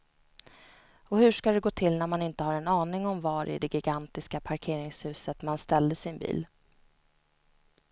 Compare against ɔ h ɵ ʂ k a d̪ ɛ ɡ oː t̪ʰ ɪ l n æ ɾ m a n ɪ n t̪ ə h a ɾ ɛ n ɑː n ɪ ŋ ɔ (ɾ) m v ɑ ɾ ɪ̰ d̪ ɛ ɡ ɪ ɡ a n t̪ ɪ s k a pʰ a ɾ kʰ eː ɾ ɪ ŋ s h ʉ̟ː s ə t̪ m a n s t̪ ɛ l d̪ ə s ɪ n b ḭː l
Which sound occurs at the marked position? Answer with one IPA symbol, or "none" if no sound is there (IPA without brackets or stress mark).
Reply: none